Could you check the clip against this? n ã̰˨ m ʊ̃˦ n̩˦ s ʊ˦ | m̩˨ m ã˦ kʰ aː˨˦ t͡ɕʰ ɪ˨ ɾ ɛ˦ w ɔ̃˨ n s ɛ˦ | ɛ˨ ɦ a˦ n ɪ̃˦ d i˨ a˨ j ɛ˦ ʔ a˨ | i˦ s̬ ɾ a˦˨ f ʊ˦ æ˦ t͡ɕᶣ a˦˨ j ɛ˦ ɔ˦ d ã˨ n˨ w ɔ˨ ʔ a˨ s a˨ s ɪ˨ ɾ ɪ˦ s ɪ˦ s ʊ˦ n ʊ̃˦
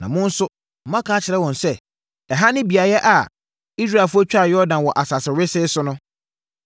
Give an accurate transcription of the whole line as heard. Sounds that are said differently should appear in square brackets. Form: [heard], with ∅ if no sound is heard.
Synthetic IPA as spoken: n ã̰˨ m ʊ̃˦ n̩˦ s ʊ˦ | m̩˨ m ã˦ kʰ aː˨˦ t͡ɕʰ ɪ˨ ɾ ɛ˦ w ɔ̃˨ n s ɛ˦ | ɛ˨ ɦ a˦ n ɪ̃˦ [b] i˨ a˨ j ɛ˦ ʔ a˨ | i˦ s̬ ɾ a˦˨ f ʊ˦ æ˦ t͡ɕᶣ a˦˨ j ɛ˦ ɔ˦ d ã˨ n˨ w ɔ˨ ʔ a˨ s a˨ s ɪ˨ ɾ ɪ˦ s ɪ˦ s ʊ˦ n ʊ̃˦

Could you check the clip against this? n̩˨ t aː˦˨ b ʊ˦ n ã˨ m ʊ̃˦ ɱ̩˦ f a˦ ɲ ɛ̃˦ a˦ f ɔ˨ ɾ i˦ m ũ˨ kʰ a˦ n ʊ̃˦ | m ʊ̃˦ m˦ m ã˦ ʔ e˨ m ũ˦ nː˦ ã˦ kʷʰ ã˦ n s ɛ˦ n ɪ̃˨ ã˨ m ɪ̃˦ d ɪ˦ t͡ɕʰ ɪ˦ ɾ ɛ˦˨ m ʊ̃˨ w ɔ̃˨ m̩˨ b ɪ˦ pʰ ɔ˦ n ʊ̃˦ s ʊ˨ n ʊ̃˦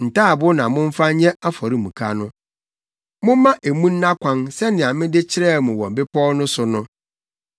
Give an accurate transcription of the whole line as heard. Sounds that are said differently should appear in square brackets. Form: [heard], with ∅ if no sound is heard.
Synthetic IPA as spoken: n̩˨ t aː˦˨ b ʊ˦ n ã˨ m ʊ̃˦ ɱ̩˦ f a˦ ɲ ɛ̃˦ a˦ f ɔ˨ ɾ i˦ m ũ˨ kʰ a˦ n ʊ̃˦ | m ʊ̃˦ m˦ m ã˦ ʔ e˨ m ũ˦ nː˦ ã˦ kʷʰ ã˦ n s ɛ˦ n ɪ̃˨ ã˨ m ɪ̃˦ d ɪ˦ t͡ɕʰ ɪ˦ ɾ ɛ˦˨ m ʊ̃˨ w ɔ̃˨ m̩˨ b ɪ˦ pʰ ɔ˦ n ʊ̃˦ s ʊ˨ n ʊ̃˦

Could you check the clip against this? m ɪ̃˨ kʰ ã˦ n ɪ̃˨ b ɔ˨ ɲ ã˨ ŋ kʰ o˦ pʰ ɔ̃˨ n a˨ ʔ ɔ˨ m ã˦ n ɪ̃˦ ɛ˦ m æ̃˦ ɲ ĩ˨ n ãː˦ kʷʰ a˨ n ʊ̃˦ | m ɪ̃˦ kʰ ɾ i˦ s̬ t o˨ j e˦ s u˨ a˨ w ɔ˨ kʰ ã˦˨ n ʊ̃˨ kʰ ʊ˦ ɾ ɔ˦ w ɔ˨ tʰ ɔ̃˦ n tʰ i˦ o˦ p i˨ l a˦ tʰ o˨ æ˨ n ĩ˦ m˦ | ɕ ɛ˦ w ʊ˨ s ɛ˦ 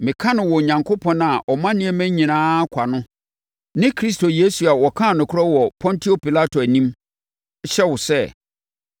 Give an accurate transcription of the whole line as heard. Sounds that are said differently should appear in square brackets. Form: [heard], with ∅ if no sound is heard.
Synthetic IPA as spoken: m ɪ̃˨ kʰ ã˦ n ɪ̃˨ [w] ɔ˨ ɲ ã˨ ŋ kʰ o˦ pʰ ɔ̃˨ n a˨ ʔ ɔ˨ m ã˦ n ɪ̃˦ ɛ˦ m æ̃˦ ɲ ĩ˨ n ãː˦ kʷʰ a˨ n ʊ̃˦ | [n] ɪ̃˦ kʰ ɾ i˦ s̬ t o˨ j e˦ s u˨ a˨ w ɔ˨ kʰ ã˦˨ n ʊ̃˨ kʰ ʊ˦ ɾ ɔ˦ w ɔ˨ [pʰ] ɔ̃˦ n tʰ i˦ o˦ p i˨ l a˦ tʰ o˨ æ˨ n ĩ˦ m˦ | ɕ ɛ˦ w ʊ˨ s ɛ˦

